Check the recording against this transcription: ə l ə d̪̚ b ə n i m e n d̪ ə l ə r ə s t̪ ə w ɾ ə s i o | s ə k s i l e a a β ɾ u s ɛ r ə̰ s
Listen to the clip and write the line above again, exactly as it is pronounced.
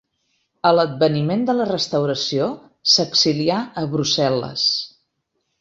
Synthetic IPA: ə l ə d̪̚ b ə n i m e n d̪ ə l ə r ə s t̪ ə w ɾ ə s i o | s ə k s i l i a ə β ɾ u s ɛ l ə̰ s